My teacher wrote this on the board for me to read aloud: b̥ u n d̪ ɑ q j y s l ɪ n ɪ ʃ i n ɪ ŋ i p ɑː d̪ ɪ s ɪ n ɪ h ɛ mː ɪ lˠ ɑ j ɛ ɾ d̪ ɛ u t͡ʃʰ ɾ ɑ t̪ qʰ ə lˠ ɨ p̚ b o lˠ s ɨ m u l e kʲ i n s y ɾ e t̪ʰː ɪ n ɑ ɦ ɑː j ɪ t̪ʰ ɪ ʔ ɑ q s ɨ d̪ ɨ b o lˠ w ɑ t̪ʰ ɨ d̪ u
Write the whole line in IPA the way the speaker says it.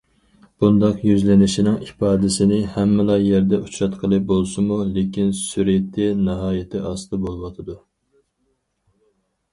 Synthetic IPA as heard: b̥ u n d̪ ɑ q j y z l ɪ n ɪ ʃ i n ɪ ŋ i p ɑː d̪ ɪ s ɪ n ɪ h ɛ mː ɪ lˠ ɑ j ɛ ɾ d̪ ɛ u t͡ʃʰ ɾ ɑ t̪ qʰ ə lˠ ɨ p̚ b o lˠ s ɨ m u l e kʲ i n s y ɾ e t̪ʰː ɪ n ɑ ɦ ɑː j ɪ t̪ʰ ɪ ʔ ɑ s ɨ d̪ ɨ b o lˠ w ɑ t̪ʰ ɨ d̪ u